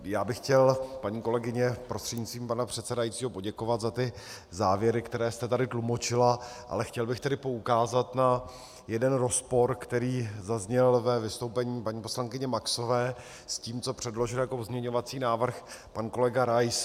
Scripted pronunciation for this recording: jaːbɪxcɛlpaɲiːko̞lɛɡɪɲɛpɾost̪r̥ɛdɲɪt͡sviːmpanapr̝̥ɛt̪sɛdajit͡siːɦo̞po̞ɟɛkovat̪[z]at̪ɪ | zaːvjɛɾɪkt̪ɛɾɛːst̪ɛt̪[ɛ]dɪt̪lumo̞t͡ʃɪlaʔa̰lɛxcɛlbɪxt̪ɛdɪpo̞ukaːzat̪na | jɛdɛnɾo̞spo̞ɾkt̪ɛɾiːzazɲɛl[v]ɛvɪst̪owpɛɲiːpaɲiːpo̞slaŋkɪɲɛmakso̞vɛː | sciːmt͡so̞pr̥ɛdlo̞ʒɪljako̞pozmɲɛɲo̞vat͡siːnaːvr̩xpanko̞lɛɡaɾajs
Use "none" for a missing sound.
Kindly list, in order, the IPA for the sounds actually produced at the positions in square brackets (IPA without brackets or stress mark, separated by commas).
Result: z, a, v